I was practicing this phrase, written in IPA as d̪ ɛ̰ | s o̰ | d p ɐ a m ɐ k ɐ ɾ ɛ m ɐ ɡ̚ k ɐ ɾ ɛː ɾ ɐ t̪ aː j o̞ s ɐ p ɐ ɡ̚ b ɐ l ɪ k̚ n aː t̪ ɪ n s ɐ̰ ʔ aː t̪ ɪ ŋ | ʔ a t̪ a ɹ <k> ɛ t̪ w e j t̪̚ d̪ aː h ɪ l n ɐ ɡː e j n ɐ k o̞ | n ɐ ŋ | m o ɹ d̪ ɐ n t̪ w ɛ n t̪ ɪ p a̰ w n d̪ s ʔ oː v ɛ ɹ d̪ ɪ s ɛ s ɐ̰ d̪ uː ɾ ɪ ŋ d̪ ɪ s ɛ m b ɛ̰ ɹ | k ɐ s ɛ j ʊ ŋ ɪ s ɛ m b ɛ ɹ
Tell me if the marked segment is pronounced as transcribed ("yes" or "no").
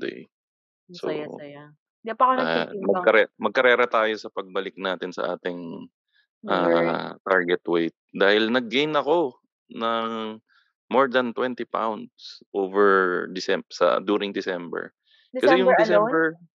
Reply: no